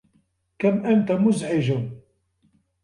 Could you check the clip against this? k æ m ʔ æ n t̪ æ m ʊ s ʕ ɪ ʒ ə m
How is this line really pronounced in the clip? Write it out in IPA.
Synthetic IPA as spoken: k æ m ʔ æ n t̪ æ m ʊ z ʕ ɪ ʒ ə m